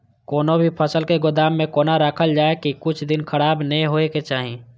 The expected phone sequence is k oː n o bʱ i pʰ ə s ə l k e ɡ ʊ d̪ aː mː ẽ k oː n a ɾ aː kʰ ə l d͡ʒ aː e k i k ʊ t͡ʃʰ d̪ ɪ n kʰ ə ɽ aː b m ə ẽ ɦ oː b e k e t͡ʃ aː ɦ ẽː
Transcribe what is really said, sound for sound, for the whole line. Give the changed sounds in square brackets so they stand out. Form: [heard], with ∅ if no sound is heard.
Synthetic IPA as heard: k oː n o bʱ i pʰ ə s ə l k e ɡ ʊ d̪ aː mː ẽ k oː n a ɾ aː kʰ ə l d͡ʒ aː e k i k ʊ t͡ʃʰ d̪ ɪ n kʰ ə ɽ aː b [n] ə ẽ ɦ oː [∅] e k e t͡ʃ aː ɦ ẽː